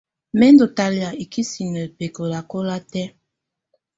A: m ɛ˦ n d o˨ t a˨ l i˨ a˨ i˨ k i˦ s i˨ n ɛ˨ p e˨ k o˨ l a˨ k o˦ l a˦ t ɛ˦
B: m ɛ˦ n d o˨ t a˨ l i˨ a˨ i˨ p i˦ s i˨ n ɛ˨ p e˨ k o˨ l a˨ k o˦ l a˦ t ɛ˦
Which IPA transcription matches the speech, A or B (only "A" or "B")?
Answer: A